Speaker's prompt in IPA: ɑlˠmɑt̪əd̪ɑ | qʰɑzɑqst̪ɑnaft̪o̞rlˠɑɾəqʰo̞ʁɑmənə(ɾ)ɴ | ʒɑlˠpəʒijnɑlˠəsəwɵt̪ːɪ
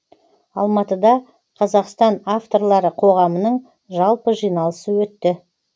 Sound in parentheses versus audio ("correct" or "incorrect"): incorrect